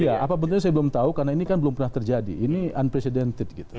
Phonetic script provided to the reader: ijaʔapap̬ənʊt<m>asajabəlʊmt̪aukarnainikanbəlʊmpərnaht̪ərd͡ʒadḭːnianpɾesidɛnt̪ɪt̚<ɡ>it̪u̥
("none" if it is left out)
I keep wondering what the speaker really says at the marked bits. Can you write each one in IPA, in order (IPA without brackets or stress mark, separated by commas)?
ɲ, ɡ